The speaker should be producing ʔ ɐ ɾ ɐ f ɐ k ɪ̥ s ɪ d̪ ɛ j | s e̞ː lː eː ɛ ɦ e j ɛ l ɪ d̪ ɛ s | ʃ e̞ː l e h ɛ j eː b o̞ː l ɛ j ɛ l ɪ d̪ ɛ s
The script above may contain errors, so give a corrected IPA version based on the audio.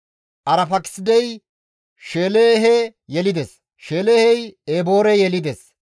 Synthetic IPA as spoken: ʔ ɐ ɾ ɐ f ɐ k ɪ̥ s ɪ d̪ ɛ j | ʃ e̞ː l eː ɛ ɦ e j ɛ l ɪ d̪ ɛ s | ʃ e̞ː l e h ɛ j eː b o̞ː ɾ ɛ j ɛ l ɪ d̪ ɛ s

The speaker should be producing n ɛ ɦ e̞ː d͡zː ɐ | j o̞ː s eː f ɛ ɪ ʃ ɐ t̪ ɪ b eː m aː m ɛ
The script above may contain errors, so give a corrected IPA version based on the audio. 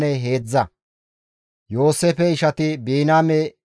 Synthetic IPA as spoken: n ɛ ɦ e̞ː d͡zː ɐ | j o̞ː s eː f ɛ ɪ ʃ ɐ t̪ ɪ b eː n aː m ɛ

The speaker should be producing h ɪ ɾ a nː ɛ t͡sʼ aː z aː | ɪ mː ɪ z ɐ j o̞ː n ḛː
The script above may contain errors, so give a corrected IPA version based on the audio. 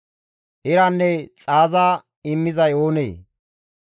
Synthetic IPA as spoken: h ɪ ɾ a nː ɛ t͡sʼ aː z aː | ɪ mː ɪ z ɐ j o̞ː n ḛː

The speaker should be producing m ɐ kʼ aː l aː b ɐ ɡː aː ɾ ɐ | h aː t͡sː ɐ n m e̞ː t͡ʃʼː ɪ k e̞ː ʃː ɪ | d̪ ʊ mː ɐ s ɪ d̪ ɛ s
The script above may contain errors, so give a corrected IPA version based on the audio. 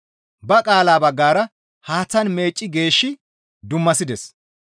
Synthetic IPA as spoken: b ɐ kʼ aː l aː b ɐ ɡː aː ɾ ɐ | h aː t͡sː ɐ n m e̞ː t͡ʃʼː ɪ ɡ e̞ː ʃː ɪ | d̪ ʊ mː ɐ s ɪ d̪ ɛ s

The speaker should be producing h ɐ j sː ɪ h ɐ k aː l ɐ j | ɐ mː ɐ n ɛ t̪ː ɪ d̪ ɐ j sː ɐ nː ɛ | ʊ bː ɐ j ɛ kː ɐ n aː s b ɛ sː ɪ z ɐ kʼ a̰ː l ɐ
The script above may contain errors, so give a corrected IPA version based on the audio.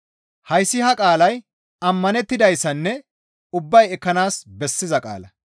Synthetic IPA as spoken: h ɐ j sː ɪ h ɐ kʼ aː l ɐ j | ɐ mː ɐ n ɛ t̪ː ɪ d̪ ɐ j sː ɐ nː ɛ | ʊ bː ɐ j ɛ kː ɐ n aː s b ɛ sː ɪ z ɐ kʼ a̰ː l ɐ

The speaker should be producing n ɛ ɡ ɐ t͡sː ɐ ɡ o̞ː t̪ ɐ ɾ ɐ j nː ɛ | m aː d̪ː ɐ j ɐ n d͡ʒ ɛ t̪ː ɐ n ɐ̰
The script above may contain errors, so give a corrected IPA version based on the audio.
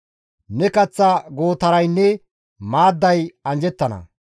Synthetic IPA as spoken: n ɛ k ɐ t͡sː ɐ ɡ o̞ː t̪ ɐ ɾ ɐ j nː ɛ | m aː d̪ː ɐ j ɐ n d͡ʒ ɛ t̪ː ɐ n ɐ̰

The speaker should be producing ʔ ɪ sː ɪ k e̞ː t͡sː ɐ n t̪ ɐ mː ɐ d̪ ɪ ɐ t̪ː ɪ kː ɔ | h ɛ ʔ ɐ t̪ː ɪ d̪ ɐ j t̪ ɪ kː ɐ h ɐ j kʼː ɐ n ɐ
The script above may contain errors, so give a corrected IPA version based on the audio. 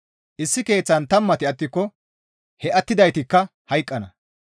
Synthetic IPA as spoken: ʔ ɪ sː ɪ k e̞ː t͡sː ɐ n t̪ ɐ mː ɐ t̪ ɪ ɐ t̪ː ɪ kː ɔ | h ɛ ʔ ɐ t̪ː ɪ d̪ ɐ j t̪ ɪ kː ɐ h ɐ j kʼː ɐ n ɐ

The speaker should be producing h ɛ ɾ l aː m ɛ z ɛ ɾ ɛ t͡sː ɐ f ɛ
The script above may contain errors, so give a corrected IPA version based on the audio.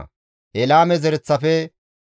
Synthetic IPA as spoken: h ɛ l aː m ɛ z ɛ ɾ ɛ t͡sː ɐ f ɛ

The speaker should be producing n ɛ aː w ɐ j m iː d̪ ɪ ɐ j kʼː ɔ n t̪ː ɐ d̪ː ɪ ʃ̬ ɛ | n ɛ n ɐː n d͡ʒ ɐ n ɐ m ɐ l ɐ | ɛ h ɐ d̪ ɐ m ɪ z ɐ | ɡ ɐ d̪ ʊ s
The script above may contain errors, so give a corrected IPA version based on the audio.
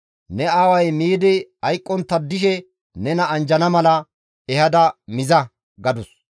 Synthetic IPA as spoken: n ɛ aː w ɐ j m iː d̪ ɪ ɐ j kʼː ɔ n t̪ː ɐ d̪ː ɪ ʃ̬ ɛ | n ɛ n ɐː n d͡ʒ ɐ n ɐ m ɐ l ɐ | ɛ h ɐ d̪ ɐ m ɪ z ɐ | ɡ ɐ d̪ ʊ s

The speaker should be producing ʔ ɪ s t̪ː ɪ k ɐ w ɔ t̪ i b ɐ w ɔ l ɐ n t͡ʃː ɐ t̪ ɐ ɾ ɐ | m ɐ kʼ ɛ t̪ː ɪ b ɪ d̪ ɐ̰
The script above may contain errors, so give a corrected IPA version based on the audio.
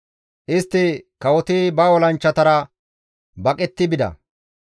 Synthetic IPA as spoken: ʔ ɪ s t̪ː ɪ k ɐ w ɔ t̪ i b ɐ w ɔ l ɐ n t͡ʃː ɐ t̪ ɐ ɾ ɐ | b ɐ kʼ ɛ t̪ː ɪ b ɪ d̪ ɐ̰

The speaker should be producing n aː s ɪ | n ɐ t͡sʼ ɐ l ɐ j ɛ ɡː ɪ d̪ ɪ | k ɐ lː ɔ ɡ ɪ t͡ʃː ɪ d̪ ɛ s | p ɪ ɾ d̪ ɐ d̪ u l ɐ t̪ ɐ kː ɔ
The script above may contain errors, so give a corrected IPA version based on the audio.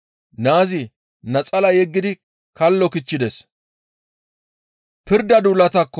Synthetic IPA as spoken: n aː z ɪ | n ɐ t͡sʼ ɐ l ɐ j ɛ ɡː ɪ d̪ ɪ | k ɐ lː ɔ k ɪ t͡ʃː ɪ d̪ ɛ s | p ɪ ɾ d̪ ɐ d̪ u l ɐ t̪ ɐ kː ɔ

